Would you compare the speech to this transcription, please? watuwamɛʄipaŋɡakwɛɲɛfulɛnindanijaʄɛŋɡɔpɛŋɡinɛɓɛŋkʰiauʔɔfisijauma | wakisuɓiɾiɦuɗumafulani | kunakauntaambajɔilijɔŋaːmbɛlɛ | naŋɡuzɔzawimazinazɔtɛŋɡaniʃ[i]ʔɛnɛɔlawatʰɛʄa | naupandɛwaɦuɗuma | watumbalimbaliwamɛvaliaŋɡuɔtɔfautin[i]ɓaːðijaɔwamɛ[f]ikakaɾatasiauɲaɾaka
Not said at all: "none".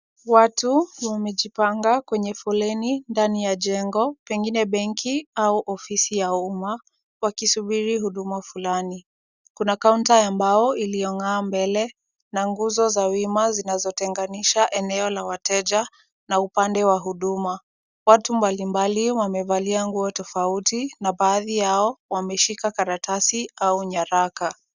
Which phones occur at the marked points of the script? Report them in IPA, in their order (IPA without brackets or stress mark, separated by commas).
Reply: a, a, ʃ